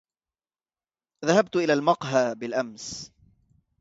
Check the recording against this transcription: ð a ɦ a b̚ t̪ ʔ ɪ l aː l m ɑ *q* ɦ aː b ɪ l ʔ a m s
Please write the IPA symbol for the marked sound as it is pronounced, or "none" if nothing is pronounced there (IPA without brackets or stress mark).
q